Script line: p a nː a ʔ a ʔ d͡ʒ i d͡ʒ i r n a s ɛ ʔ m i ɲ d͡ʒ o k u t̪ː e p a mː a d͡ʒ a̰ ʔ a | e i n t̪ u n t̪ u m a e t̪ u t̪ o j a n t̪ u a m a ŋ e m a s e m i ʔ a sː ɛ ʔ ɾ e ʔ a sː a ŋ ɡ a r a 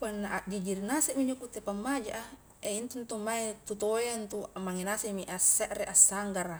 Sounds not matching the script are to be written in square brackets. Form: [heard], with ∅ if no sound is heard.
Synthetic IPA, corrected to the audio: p a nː a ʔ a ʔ d͡ʒ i d͡ʒ i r n a s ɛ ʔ m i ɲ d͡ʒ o k u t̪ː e p a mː a d͡ʒ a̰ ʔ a | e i n t̪ u n t̪ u m a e t̪ u t̪ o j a n t̪ u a m a ŋ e [n] a s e m i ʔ a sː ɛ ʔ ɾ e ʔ a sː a ŋ ɡ a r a